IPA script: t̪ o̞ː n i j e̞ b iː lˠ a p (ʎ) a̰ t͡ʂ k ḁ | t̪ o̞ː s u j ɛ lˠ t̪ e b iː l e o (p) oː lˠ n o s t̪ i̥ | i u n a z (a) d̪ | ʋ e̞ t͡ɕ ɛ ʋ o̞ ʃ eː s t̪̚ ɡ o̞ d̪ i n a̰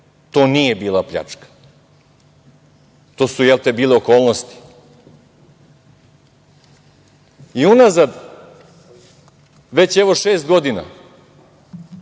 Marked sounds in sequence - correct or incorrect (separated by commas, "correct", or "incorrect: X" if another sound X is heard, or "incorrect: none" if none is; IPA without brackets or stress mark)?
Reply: correct, incorrect: k, correct